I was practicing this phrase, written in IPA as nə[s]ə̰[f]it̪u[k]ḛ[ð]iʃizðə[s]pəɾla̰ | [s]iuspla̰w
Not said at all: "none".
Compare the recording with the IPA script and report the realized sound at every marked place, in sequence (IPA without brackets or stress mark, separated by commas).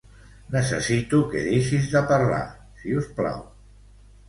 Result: s, s, k, ð, none, s